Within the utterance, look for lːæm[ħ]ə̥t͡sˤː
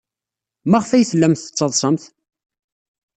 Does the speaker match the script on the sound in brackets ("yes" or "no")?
no